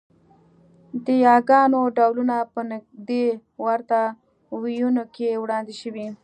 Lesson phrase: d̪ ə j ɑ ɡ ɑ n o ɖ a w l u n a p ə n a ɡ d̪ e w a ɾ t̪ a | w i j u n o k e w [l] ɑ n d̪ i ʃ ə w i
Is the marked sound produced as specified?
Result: no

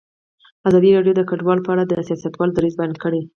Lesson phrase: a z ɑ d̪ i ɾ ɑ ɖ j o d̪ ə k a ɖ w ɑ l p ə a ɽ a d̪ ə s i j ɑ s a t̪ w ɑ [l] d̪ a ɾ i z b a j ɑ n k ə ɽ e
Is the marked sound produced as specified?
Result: yes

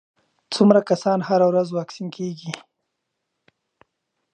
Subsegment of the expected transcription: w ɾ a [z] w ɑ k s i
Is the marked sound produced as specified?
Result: yes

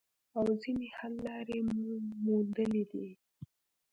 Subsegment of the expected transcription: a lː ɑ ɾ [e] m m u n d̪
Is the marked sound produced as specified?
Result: yes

